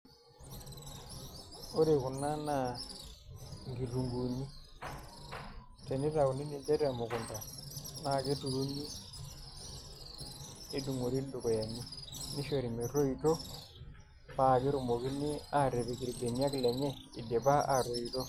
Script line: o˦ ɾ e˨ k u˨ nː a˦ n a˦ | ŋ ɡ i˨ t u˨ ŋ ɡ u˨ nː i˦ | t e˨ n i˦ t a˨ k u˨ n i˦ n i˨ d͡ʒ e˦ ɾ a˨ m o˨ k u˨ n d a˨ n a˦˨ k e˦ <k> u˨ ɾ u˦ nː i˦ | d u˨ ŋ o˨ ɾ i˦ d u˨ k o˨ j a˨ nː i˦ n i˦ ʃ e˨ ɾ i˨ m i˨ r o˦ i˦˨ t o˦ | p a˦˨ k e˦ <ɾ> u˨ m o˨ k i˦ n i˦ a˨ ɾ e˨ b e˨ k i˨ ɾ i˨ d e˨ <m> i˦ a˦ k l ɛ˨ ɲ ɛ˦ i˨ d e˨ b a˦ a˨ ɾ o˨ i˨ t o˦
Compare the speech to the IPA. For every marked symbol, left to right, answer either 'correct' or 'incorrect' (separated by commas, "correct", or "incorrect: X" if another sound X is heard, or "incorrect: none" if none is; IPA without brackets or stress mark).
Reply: incorrect: t, correct, incorrect: n